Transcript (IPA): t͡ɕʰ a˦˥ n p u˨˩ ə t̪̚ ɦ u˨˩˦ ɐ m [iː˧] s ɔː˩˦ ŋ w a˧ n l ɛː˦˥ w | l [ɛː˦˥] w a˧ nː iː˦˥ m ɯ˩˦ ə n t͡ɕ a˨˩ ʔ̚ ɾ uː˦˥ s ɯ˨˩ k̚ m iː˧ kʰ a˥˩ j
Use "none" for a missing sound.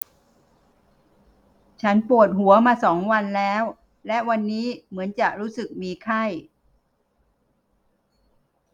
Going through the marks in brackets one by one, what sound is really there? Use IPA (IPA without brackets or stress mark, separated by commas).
aː˧, ɛ˦˥